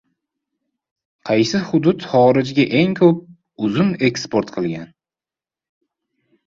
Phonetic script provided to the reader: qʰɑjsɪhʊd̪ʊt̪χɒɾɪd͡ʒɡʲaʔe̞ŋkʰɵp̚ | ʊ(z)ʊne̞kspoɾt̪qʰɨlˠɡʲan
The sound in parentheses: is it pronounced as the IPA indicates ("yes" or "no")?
yes